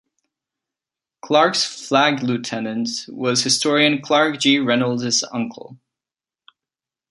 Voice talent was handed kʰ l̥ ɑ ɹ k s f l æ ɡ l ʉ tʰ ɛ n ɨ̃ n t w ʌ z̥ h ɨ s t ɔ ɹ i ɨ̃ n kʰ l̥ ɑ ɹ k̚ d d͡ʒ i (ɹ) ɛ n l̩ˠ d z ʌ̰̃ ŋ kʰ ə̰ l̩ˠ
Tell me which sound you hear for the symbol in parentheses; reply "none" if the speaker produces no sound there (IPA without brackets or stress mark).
ɹ